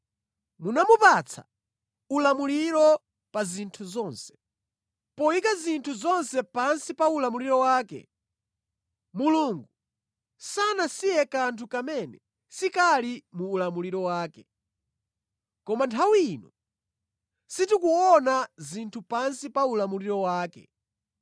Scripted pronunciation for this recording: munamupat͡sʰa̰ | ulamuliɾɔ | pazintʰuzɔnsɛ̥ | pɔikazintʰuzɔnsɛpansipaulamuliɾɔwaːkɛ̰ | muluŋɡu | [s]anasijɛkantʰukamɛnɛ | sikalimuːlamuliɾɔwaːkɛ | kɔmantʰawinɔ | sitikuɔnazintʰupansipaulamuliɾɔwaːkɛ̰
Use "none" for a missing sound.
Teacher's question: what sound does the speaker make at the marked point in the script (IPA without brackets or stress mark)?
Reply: s